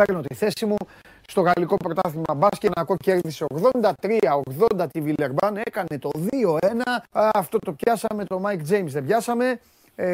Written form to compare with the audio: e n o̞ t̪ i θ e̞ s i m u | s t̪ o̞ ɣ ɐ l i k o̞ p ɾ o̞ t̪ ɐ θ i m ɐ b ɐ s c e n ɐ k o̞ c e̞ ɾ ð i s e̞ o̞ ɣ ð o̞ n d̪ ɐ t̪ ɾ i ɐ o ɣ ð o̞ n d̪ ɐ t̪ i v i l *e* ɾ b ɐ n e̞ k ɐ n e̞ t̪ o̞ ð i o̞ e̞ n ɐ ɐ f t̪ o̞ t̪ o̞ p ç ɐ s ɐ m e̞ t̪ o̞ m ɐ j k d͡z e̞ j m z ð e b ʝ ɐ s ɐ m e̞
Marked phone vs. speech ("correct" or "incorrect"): correct